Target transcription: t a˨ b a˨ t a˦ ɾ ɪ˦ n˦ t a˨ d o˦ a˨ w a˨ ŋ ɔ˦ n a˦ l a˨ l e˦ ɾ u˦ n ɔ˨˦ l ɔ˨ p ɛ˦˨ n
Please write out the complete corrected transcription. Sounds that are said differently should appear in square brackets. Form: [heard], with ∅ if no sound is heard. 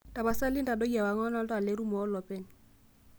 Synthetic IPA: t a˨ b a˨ [s] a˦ [l] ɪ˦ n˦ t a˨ d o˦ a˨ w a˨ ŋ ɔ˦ n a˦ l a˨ l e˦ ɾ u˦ [m] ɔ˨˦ l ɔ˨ p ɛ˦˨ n